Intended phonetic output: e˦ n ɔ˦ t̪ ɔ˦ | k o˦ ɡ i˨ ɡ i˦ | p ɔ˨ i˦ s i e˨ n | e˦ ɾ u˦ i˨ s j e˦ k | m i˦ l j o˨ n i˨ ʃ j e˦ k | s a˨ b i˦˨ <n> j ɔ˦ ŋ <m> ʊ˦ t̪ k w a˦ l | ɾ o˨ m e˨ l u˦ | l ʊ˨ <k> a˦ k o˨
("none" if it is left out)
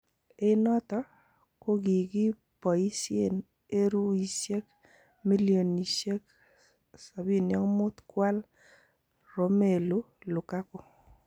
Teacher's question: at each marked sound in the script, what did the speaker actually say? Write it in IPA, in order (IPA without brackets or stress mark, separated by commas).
n, m, k